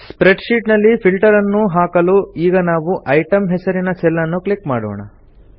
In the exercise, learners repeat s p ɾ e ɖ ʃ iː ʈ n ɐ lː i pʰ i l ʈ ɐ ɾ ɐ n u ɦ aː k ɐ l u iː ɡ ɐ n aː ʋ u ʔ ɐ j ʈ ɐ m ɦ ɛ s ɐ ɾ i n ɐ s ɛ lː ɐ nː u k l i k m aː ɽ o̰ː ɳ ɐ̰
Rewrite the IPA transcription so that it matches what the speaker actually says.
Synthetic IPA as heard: s p ɾ e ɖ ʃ iː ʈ n ɐ lː i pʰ i l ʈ ɐ ɾ ɐ nː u ɦ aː k ɐ l u iː ɡ ɐ n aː ʋ u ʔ ɐ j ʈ ɐ m ɦ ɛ s ɐ ɾ i n ɐ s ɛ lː ɐ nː u k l i k m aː ɽ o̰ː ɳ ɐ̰